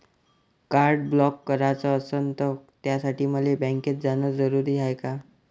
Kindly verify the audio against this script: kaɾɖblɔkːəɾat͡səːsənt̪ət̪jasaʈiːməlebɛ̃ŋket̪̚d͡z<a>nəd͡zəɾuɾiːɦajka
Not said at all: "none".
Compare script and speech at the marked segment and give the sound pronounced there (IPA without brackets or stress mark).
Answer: a